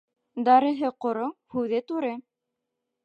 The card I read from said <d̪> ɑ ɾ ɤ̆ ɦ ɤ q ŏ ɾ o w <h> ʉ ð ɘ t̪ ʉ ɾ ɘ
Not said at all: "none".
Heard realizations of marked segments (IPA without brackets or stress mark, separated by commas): d̪, h